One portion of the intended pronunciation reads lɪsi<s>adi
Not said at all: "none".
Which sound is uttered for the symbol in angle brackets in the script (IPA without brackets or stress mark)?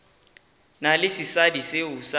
s